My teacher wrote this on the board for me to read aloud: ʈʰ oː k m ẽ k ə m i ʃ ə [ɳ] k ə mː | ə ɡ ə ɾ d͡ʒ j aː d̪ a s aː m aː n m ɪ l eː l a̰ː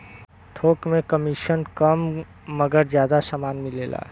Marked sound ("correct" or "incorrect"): incorrect